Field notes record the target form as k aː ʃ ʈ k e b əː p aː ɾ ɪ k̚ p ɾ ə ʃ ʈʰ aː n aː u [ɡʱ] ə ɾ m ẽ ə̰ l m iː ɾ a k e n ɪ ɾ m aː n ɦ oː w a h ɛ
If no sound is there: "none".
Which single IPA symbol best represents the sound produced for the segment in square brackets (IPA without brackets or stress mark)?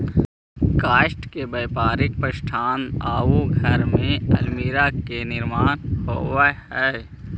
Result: ɡʱ